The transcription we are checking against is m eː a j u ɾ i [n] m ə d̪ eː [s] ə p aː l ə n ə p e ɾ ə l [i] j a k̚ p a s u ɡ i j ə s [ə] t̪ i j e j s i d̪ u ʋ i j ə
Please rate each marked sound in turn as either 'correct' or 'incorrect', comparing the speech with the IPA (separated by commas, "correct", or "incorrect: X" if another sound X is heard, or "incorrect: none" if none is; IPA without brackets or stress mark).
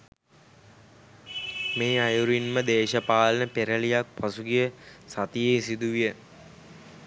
correct, incorrect: ʃ, correct, incorrect: a